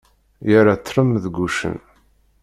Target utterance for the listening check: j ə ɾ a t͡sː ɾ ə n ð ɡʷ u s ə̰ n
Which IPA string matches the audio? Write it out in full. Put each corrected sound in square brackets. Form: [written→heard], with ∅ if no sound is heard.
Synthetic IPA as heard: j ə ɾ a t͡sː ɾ ə [n→m] ð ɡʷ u [s→ʃ] ə̰ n